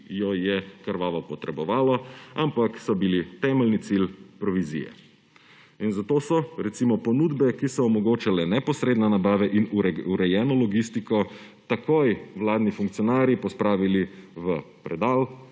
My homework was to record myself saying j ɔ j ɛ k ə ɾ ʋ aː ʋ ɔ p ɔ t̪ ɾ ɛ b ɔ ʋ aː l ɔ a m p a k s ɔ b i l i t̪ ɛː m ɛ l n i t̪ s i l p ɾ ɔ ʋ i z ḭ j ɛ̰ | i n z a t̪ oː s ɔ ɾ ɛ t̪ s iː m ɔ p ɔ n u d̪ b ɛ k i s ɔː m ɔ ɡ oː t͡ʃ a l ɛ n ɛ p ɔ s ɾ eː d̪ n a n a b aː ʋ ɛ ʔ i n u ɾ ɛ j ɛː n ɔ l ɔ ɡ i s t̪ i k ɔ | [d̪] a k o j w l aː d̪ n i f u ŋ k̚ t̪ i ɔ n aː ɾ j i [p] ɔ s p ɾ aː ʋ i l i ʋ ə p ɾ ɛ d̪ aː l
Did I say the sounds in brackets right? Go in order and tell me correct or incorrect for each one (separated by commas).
incorrect, correct